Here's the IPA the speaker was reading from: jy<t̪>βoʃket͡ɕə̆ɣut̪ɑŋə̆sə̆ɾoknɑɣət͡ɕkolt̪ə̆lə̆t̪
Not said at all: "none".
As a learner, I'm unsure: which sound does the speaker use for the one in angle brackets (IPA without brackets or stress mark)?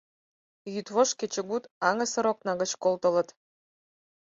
t̪